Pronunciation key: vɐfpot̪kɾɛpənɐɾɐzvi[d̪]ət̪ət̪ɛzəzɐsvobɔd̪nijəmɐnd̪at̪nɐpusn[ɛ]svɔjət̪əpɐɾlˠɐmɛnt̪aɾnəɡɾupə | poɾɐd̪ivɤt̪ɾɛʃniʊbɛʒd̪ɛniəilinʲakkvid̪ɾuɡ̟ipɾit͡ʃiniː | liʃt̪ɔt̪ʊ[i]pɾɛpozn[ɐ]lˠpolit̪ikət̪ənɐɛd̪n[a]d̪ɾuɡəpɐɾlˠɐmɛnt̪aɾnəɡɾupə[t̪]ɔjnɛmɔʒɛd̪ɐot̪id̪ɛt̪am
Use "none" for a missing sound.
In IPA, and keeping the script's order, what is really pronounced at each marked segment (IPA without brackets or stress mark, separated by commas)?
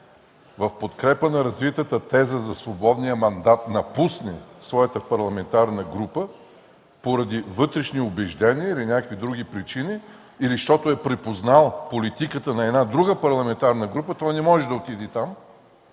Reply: t̪, ɛ, ɛ, a, a, t̪